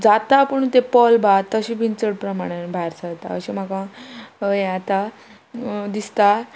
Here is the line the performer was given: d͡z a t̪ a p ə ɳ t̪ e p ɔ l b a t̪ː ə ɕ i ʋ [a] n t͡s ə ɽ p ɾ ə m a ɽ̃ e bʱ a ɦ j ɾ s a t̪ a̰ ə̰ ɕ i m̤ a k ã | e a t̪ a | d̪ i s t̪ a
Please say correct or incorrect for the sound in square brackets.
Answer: incorrect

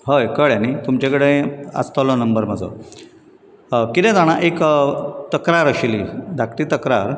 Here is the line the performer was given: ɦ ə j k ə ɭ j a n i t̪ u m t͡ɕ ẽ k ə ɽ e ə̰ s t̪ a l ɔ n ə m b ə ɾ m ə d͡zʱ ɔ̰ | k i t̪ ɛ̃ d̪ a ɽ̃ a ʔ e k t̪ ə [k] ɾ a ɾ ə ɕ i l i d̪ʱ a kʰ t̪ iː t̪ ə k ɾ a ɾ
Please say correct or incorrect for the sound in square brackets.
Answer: correct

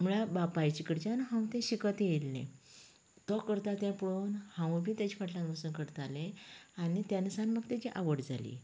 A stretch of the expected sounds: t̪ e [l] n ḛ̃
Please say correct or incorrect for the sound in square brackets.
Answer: correct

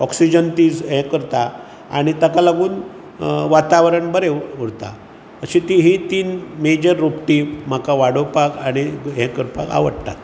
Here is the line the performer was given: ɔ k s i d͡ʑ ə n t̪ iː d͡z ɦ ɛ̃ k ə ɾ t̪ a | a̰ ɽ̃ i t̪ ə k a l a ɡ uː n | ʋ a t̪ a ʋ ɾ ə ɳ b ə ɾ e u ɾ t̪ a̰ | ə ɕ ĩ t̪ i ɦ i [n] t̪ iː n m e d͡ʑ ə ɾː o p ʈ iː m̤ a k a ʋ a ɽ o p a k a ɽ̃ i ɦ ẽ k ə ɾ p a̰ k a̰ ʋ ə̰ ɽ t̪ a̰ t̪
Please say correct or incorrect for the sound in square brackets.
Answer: incorrect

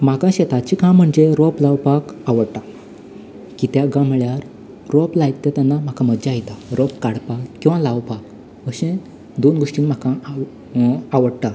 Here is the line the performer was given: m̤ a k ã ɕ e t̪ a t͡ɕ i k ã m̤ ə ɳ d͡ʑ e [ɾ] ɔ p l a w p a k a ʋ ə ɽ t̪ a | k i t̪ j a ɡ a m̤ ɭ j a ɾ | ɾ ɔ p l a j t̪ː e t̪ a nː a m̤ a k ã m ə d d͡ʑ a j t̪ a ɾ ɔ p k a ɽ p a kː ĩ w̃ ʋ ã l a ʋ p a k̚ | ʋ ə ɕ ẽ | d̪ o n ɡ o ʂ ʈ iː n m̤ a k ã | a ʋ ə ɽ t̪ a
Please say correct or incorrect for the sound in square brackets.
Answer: correct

